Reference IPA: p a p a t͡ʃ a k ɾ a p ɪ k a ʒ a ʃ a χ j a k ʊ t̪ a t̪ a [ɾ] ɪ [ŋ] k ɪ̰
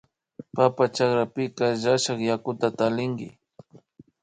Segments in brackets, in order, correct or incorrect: incorrect: l, correct

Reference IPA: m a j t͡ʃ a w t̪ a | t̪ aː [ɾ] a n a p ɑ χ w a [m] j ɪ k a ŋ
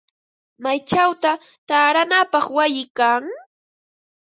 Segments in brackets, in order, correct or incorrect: correct, incorrect: none

